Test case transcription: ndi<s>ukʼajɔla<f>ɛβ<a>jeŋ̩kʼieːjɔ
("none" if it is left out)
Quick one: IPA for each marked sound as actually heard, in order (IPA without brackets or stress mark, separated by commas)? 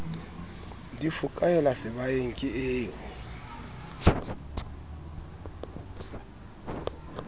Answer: f, s, a